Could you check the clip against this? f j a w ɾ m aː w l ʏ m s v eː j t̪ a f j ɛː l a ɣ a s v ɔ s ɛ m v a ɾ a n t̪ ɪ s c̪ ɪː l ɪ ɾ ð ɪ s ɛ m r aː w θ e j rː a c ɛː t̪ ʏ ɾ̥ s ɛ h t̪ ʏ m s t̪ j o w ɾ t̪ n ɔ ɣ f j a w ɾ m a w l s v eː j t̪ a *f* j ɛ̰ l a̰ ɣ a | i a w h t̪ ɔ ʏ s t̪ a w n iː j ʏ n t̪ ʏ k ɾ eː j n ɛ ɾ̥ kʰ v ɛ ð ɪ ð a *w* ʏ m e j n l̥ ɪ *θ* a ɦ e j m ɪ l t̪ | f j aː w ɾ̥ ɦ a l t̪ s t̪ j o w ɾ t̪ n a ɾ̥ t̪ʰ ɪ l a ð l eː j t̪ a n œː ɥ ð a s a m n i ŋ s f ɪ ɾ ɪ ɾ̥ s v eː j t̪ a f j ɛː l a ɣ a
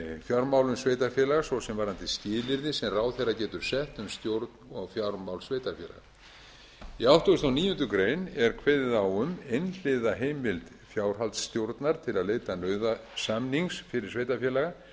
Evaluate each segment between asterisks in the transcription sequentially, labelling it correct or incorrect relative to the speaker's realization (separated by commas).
correct, correct, incorrect